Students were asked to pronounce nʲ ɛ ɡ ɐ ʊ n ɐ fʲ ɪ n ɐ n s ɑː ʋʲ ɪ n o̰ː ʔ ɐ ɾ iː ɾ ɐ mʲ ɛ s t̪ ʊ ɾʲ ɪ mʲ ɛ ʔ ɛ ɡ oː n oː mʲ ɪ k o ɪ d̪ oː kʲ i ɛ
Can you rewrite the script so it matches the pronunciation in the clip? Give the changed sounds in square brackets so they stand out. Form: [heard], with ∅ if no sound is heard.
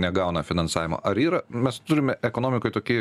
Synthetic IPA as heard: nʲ ɛ ɡ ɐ ʊ n ɐ fʲ ɪ n ɐ n s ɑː ʋʲ ɪ [m] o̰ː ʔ ɐ ɾ iː ɾ ɐ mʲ ɛ s t̪ ʊ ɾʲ ɪ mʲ ɛ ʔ ɛ [k] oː n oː mʲ ɪ k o ɪ [t̪] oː kʲ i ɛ